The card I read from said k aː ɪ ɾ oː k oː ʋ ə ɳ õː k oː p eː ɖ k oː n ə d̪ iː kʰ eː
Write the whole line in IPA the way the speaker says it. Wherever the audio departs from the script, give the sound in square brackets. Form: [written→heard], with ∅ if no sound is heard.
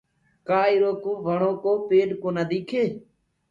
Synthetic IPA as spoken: k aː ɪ ɾ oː k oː ʋ ə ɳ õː k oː p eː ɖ k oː n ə d̪ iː kʰ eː

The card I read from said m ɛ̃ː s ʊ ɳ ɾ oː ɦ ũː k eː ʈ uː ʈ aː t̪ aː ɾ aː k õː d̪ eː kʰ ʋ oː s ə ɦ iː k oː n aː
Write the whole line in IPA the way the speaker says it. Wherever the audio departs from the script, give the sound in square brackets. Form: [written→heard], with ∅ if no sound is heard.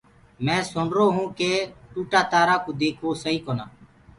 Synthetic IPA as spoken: m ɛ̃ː s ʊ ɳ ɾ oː ɦ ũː k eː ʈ uː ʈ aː t̪ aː ɾ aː k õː d̪ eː kʰ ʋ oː s ə ɦ iː k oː n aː

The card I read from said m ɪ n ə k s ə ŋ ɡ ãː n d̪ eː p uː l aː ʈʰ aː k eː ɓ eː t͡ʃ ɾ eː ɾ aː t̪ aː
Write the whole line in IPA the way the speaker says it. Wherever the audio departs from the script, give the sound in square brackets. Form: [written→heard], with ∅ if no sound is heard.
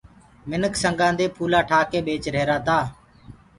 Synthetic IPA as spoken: m ɪ n ə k s ə ŋ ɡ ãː n d̪ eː [p→pʰ] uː l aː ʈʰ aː k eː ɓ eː t͡ʃ ɾ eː ɾ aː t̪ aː

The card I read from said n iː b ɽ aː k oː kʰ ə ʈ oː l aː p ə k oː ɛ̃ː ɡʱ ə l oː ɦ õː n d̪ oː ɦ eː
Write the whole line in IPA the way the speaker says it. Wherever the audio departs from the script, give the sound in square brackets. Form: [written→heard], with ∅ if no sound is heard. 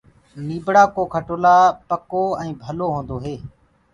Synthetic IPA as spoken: n iː b ɽ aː k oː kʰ ə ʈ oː l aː p ə k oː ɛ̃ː [ɡʱ→bʱ] ə l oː ɦ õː n d̪ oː ɦ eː

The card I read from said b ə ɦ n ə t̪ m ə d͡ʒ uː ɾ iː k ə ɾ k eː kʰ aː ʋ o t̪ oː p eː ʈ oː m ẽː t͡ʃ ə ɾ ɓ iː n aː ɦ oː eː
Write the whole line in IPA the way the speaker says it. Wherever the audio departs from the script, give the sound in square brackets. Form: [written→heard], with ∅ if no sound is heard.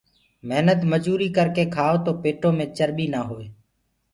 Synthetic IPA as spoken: [b→m] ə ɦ n ə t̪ m ə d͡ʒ uː ɾ iː k ə ɾ k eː kʰ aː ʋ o t̪ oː p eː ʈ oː m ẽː t͡ʃ ə ɾ ɓ iː n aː ɦ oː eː

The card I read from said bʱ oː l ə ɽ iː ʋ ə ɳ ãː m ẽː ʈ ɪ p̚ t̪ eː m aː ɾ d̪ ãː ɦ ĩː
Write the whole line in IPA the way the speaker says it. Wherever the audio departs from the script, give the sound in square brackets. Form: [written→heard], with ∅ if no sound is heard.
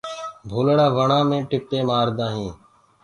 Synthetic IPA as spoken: bʱ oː l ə ɽ [iː→aː] ʋ ə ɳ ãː m ẽː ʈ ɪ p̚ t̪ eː m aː ɾ d̪ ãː ɦ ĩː

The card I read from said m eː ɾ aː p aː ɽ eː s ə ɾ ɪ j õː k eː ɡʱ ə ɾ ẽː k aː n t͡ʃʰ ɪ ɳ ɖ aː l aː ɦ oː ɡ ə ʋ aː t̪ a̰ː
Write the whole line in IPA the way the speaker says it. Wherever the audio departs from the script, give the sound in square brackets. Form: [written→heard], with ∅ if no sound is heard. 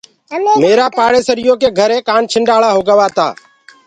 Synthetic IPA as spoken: m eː ɾ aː p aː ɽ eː s ə ɾ ɪ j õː k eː ɡʱ ə ɾ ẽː k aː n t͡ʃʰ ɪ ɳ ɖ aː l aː ɦ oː ɡ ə ʋ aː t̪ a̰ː

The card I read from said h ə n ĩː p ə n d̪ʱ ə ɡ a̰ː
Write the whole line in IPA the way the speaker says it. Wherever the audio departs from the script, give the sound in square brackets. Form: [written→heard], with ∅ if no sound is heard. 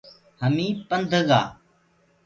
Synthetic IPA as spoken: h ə [n→m] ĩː p ə n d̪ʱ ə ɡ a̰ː

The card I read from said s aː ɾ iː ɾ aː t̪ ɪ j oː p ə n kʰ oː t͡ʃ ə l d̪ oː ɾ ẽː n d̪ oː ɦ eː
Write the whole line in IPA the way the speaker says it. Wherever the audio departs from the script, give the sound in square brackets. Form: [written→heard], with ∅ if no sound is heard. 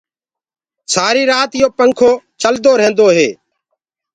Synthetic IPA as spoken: s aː ɾ iː ɾ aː t̪ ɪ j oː p ə [n→ŋ] kʰ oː t͡ʃ ə l d̪ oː ɾ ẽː n d̪ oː ɦ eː

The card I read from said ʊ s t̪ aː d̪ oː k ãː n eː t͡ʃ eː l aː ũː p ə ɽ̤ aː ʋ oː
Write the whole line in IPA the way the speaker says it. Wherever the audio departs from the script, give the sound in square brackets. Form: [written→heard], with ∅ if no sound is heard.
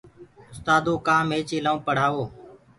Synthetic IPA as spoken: ʊ s t̪ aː d̪ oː k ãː [n→m] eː t͡ʃ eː l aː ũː p ə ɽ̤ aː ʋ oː

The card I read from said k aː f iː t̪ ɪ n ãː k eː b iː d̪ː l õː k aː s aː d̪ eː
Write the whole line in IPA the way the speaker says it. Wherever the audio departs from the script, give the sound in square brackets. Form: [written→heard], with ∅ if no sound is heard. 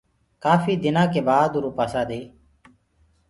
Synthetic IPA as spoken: k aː f iː [t̪→d̪] ɪ n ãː k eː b [iː→aː] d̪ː [l→ɾ] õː [k→p] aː s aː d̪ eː

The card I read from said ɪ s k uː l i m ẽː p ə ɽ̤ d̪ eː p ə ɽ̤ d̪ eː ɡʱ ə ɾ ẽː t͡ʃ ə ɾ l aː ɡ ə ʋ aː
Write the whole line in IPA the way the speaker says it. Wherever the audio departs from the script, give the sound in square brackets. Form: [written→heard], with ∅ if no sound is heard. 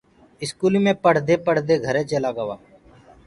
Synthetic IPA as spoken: ɪ s k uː l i m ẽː p ə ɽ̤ d̪ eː p ə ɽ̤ d̪ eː ɡʱ ə ɾ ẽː t͡ʃ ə [ɾ→∅] l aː ɡ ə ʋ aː

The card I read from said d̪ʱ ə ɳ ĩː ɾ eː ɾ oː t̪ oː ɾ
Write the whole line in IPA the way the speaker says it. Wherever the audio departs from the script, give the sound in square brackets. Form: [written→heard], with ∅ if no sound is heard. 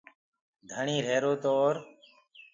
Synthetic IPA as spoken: d̪ʱ ə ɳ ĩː ɾ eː ɾ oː t̪ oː ɾ

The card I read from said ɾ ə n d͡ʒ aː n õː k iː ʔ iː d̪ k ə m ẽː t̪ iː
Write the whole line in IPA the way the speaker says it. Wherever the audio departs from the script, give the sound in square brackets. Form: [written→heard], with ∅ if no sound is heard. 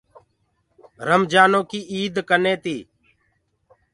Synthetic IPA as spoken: ɾ ə [n→m] d͡ʒ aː n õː k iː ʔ iː d̪ k ə [m→n] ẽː t̪ iː

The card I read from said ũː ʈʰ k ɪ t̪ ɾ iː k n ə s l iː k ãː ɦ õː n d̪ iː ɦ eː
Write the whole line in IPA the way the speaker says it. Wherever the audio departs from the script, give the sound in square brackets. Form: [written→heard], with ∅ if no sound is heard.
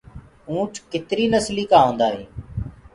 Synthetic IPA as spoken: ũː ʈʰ k ɪ t̪ ɾ iː [k→∅] n ə s l iː k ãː ɦ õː n d̪ [iː→aː] ɦ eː

